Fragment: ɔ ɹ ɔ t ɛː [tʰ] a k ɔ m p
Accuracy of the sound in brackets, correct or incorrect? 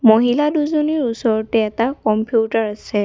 incorrect